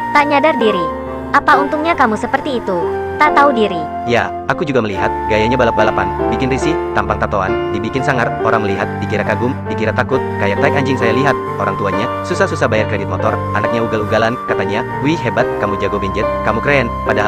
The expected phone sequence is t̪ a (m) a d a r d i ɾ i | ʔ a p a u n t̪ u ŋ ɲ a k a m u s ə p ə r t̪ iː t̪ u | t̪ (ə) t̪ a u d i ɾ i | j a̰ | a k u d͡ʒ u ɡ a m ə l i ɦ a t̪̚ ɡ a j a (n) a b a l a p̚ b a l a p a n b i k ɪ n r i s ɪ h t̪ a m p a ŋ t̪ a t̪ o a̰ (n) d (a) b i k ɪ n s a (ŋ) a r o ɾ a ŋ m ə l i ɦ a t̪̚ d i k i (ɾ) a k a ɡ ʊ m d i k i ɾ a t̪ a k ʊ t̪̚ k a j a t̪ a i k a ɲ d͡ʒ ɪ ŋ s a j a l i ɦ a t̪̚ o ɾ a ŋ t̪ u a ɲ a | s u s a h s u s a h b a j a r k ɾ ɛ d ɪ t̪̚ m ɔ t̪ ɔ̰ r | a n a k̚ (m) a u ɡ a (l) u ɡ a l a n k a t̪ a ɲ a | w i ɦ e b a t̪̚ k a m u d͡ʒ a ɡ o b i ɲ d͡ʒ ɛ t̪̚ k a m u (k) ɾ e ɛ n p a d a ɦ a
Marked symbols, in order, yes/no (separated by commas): no, no, no, yes, no, yes, yes, no, yes, yes